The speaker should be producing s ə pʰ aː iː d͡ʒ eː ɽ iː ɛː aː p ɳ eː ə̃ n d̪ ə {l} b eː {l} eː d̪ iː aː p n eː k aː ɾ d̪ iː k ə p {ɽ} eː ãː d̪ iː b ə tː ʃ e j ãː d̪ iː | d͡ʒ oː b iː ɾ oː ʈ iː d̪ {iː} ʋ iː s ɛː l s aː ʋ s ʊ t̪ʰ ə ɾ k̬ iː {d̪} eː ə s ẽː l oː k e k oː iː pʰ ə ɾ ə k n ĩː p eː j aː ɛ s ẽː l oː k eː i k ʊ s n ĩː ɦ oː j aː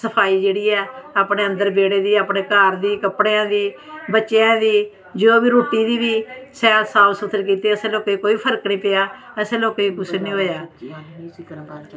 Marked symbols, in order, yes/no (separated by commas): no, no, yes, yes, no